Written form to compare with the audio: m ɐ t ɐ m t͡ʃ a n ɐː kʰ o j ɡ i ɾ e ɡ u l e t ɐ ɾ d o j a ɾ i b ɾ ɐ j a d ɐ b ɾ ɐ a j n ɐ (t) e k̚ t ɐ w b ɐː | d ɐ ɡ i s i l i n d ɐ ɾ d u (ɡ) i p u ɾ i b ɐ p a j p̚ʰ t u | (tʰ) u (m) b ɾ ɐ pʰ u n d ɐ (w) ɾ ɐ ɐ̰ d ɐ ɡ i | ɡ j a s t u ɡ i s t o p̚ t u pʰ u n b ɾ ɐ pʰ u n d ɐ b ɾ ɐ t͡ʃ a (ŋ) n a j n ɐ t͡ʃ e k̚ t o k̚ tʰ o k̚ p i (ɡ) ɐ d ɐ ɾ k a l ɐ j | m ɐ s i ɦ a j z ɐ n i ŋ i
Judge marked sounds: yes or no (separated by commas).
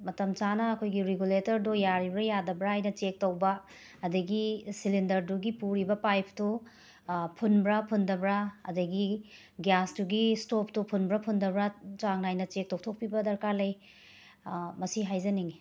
no, yes, no, no, no, yes, no